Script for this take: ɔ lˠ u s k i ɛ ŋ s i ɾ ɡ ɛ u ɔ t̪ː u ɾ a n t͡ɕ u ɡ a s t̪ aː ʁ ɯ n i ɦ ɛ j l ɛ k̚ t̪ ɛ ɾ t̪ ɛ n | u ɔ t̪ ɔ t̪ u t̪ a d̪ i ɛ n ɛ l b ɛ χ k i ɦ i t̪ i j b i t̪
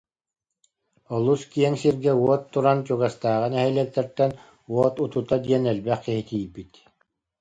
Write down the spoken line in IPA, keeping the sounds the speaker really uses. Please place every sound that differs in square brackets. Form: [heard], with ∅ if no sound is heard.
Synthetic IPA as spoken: ɔ lˠ u s k i ɛ ŋ s i ɾ ɡ ɛ u ɔ t̪ː u ɾ a n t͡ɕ u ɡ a s t̪ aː ʁ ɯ n [ɛ] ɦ ɛ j l ɛ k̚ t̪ ɛ ɾ t̪ ɛ n | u ɔ t̪ [u] t̪ u t̪ a d̪ i ɛ n ɛ l b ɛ χ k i ɦ i t̪ i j b i t̪